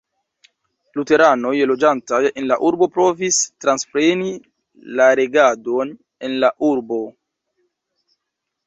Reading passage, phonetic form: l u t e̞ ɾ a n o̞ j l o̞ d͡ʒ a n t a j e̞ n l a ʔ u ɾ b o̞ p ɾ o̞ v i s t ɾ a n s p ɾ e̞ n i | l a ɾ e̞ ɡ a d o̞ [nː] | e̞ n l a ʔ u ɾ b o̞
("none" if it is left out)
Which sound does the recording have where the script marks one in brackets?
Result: n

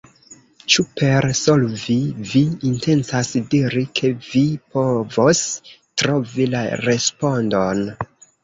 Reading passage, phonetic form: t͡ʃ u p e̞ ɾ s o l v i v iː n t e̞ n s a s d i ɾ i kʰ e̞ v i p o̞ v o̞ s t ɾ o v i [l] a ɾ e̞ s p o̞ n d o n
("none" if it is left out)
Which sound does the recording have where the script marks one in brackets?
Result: l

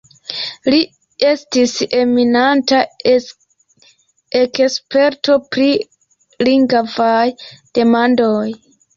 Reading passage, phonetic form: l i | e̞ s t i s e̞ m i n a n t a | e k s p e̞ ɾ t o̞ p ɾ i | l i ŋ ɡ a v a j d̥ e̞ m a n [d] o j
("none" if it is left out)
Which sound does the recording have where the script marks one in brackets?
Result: d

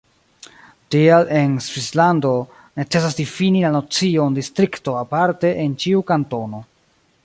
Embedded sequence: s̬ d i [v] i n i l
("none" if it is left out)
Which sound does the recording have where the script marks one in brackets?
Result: f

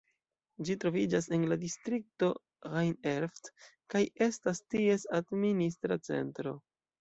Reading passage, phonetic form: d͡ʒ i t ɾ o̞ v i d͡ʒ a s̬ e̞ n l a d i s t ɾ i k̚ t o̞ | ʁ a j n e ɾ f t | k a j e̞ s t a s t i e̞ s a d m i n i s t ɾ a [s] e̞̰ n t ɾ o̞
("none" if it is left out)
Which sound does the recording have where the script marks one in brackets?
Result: t͡s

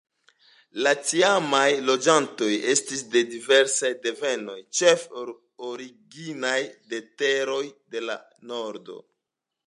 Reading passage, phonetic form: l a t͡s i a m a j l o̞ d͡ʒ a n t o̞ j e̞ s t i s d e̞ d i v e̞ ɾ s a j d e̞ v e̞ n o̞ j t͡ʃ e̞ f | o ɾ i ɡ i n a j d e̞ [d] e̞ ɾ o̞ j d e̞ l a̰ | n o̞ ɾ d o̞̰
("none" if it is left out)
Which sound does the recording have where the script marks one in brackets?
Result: t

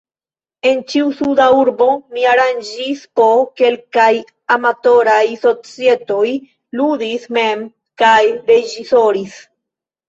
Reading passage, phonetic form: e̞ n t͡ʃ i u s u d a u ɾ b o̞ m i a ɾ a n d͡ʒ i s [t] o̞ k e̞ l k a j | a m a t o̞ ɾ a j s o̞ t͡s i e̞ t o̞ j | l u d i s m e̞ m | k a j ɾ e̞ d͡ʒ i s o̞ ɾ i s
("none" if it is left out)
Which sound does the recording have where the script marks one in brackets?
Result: p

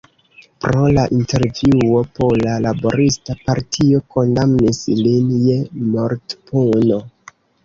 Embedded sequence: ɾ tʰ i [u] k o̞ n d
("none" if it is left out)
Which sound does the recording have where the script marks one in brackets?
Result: o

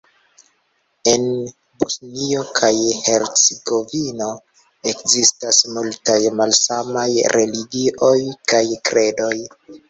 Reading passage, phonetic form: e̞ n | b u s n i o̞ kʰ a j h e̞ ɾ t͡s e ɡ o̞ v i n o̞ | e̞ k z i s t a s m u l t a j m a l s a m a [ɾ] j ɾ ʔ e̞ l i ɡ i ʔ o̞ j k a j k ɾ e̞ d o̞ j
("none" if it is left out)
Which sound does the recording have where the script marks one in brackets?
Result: none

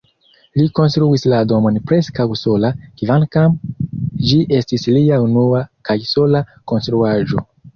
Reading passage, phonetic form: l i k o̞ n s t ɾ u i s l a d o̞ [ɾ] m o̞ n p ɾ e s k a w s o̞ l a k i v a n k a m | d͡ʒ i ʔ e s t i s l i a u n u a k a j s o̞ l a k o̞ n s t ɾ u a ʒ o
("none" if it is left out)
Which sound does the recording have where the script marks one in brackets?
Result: none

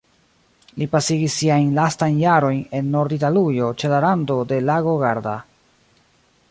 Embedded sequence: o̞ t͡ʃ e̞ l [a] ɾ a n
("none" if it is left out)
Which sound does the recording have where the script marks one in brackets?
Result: a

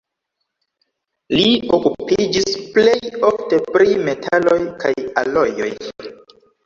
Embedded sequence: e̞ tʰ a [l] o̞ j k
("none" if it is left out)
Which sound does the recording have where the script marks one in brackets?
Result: l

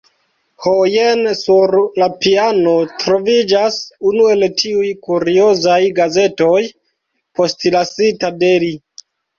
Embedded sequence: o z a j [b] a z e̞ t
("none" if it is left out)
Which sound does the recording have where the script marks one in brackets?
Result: ɡ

